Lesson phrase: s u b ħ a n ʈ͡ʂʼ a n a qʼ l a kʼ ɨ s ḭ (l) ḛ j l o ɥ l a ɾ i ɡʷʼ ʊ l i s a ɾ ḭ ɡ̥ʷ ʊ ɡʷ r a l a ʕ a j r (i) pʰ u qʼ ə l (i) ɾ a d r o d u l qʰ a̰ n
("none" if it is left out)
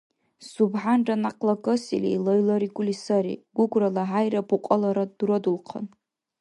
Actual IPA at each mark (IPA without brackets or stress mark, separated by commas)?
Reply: l, a, a